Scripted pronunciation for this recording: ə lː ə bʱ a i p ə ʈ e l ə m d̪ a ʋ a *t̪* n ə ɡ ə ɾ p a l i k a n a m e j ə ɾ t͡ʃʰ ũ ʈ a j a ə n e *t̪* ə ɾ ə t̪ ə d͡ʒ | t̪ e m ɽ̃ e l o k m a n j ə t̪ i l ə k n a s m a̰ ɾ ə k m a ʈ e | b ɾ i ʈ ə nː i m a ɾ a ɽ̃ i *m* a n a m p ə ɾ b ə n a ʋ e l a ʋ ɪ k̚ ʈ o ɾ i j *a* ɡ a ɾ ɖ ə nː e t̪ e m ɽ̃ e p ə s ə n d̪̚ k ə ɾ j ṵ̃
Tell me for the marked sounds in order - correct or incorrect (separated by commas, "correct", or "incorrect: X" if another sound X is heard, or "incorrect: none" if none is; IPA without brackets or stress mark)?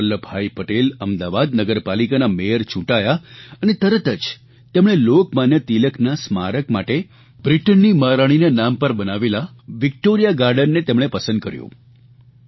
incorrect: d̪, correct, incorrect: n, correct